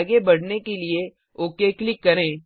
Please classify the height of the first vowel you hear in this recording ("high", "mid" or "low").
mid